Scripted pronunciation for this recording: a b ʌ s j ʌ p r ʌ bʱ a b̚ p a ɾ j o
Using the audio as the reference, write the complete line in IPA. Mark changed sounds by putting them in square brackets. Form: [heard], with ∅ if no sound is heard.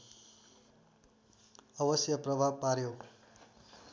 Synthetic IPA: [ʌ] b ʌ s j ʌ p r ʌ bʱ a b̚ p a ɾ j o